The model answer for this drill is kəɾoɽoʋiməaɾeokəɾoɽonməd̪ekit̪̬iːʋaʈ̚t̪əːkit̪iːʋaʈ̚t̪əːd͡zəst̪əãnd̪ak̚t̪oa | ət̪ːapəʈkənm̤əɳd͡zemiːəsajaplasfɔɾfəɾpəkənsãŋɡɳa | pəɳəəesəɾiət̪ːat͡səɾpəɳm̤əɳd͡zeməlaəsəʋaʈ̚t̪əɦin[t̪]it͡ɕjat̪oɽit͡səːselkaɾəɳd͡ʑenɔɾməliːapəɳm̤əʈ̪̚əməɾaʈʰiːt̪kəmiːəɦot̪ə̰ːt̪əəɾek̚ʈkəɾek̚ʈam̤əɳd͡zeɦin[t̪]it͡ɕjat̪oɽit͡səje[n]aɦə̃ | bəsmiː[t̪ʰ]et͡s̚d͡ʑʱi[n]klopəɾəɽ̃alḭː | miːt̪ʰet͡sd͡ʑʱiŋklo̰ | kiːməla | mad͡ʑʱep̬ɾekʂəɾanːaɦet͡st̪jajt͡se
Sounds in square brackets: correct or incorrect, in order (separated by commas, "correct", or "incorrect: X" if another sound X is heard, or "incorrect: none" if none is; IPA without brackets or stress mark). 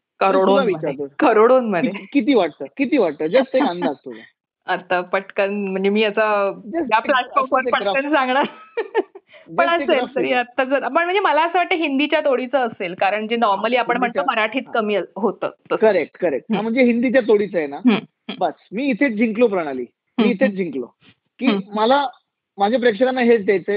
incorrect: d̪, incorrect: d̪, correct, correct, incorrect: ŋ